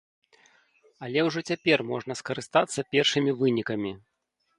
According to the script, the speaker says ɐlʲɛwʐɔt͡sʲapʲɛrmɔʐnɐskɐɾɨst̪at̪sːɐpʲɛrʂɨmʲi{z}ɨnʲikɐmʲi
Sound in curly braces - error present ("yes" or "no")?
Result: yes